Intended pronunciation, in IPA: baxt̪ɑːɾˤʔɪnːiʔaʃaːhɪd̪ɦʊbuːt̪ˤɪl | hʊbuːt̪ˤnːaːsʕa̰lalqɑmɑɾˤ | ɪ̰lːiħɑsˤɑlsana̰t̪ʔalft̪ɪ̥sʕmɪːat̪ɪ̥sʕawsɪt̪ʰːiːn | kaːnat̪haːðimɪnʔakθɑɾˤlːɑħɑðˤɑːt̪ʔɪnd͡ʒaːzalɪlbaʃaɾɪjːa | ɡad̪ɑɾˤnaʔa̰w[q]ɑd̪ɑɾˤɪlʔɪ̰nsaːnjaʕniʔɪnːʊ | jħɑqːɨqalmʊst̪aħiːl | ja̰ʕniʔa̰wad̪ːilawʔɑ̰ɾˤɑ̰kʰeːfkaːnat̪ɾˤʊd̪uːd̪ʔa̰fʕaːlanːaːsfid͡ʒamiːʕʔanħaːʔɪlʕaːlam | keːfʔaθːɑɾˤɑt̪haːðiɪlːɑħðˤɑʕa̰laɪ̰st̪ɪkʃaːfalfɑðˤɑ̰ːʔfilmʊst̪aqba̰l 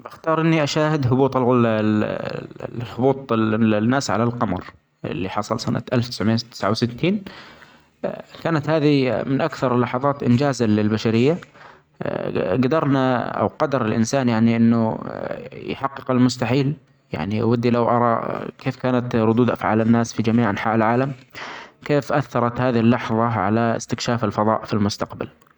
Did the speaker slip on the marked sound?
no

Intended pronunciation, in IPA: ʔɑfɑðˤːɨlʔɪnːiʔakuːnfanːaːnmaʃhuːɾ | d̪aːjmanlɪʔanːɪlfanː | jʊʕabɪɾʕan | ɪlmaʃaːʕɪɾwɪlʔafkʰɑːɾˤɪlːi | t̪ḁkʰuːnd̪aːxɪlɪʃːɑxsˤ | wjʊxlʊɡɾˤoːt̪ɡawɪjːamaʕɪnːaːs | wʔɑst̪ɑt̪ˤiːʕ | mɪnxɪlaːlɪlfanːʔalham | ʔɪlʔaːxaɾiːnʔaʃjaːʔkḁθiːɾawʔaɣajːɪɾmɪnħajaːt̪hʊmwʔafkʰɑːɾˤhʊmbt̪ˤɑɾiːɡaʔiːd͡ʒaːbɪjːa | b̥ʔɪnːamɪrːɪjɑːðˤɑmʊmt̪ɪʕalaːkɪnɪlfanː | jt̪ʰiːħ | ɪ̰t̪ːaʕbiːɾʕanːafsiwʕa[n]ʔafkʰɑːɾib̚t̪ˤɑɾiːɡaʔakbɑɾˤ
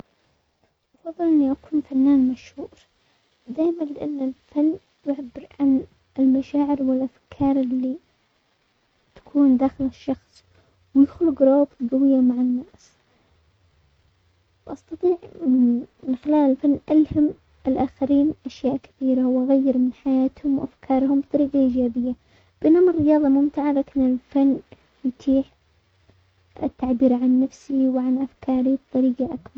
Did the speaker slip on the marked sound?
no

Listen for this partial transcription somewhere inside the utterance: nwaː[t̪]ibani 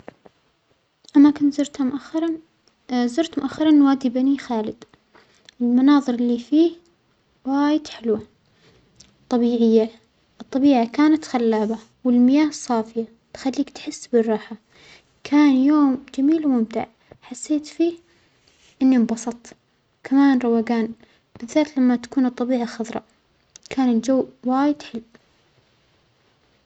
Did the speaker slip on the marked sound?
yes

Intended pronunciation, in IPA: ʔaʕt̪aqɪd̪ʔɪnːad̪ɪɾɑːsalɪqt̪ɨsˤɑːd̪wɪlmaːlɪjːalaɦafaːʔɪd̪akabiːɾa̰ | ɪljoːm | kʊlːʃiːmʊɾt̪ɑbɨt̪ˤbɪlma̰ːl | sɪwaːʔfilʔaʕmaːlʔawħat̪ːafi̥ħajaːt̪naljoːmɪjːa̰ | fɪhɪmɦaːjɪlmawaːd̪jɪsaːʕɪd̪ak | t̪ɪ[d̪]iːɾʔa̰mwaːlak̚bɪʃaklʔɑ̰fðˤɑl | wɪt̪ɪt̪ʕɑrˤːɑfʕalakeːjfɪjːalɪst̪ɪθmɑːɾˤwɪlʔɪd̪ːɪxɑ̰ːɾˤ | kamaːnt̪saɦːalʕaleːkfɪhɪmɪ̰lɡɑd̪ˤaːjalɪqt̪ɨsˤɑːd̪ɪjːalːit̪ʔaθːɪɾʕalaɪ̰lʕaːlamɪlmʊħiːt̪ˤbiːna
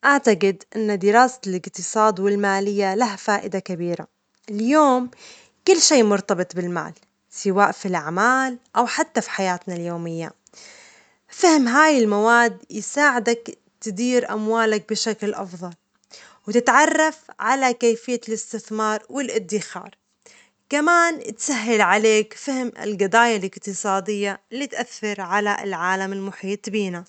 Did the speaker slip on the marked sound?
no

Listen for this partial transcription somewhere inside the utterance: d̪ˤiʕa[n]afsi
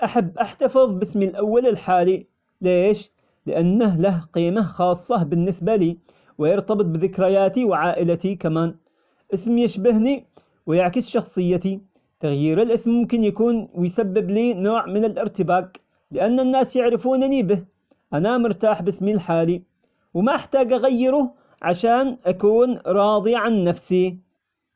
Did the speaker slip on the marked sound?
yes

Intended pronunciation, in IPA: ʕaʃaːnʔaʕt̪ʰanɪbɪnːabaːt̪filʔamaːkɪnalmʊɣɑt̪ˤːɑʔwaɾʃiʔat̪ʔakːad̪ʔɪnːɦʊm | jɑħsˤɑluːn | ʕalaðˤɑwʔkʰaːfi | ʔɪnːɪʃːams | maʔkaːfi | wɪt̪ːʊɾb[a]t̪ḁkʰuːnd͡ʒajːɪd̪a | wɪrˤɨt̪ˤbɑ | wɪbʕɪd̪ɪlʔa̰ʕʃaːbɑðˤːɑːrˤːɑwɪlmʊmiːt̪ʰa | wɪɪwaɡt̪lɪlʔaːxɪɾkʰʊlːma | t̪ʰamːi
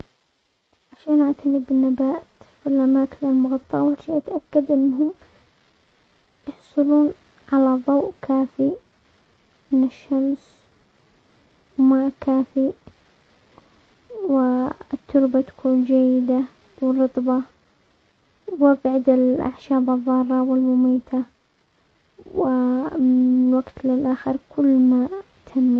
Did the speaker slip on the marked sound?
no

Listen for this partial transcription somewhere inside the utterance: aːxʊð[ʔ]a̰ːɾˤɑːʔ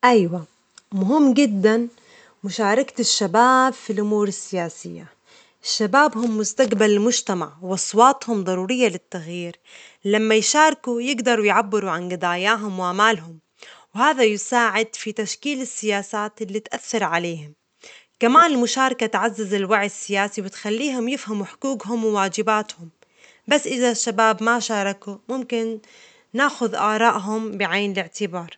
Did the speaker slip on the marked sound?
no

